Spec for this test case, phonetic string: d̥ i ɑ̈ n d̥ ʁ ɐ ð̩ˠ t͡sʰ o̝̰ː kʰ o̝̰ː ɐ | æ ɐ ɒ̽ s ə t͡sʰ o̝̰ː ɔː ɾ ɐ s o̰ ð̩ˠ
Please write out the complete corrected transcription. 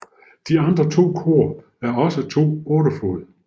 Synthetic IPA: d̥ i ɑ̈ n d̥ ʁ ɐ t͡sʰ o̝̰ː kʰ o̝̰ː ɐ | æ ɐ ɒ̽ s ə t͡sʰ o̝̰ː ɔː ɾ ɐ f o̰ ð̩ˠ